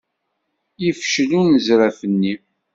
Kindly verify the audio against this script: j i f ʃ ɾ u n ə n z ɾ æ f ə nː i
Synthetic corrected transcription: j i f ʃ l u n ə z ɾ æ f ə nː i